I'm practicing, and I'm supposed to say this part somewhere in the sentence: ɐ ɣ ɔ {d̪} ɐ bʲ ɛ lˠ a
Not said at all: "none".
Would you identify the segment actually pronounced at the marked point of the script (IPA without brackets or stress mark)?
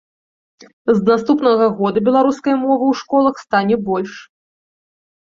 d̪